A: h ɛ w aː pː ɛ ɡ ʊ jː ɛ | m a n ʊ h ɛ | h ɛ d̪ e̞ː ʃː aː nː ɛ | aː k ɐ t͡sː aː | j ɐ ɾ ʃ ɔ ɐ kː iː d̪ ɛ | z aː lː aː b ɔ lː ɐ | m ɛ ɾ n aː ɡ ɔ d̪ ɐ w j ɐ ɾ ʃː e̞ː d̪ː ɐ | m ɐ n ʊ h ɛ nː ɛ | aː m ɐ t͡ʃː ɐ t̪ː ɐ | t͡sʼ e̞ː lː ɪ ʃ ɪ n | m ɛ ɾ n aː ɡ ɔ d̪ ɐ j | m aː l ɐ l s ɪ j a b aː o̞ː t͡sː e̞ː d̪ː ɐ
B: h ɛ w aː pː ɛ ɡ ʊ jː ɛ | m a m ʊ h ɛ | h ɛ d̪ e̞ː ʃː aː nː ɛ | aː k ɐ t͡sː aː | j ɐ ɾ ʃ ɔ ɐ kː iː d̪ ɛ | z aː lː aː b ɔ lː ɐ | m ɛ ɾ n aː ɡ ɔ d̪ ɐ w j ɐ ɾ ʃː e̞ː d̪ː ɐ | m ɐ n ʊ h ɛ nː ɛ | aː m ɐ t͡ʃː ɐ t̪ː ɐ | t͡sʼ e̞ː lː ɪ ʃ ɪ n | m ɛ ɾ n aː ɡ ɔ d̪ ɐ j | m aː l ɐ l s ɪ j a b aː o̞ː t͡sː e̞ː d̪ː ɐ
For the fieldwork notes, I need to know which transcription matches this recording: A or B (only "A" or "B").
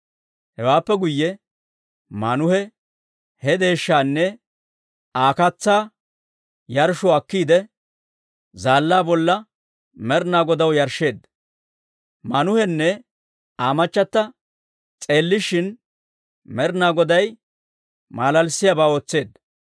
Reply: A